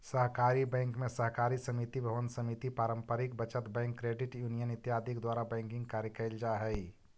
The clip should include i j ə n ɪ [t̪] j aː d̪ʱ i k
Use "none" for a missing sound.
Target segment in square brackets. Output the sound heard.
t̪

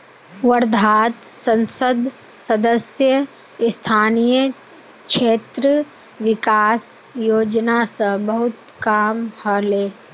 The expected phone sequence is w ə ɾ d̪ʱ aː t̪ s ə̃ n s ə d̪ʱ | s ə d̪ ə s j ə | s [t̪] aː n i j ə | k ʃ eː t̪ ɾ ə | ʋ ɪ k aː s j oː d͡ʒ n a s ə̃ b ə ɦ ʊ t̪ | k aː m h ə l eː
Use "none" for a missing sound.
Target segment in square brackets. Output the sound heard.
t̪ʰ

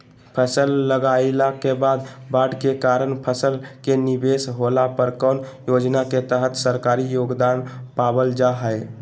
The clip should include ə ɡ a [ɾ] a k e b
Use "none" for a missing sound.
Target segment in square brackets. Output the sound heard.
l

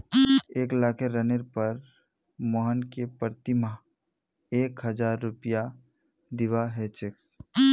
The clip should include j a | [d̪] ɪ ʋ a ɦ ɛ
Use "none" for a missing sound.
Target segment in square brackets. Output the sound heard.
d̪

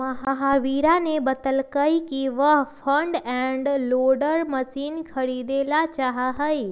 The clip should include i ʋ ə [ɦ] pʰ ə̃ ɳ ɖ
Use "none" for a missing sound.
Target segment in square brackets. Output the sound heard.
ɦ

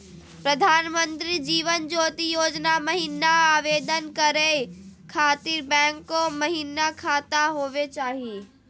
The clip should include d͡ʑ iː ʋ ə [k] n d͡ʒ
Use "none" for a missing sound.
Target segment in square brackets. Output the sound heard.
none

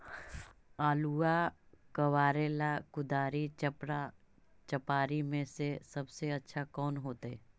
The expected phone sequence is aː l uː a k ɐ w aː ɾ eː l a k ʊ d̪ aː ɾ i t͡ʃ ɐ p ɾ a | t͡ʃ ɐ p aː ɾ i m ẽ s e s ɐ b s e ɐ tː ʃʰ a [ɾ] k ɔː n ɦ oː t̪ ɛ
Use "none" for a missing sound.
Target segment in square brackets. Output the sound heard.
none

